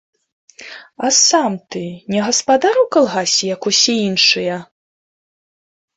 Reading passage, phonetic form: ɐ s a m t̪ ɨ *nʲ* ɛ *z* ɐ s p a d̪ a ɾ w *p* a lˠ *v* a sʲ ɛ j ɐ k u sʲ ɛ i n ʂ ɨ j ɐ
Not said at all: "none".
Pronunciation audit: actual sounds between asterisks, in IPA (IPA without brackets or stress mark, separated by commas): nʲ, ɣ, k, ɣ